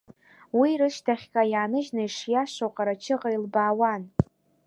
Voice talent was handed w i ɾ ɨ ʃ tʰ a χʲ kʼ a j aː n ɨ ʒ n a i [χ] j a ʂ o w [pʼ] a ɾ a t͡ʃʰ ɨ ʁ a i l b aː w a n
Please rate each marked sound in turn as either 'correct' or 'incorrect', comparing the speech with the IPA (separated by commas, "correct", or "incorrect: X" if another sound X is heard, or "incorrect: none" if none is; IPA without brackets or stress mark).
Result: incorrect: ʂ, incorrect: qʼ